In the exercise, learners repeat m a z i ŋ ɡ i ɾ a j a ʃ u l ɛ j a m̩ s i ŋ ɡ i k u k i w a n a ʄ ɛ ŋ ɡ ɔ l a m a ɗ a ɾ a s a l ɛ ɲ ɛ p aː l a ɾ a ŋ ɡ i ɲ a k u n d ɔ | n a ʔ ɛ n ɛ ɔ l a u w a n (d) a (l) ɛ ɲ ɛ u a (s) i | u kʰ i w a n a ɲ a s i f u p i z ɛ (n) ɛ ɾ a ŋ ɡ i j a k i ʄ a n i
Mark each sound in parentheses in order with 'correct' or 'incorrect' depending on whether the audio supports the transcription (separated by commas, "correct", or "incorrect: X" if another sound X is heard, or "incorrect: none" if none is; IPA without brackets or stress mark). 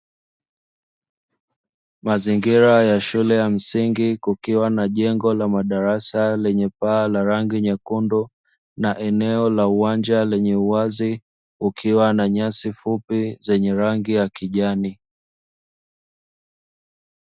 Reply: incorrect: d͡ʒ, correct, incorrect: z, incorrect: ɲ